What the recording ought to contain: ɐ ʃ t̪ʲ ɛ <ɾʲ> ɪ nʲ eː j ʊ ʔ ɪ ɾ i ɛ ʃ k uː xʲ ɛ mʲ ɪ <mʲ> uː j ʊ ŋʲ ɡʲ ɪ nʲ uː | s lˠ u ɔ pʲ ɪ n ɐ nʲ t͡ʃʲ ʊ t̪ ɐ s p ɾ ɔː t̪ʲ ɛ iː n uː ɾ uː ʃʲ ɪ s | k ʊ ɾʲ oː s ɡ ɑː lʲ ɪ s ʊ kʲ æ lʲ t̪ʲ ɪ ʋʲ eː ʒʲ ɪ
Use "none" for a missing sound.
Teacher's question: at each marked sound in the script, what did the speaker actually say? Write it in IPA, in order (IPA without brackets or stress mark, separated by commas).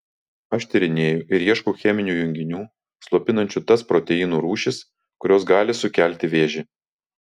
ɾʲ, nʲ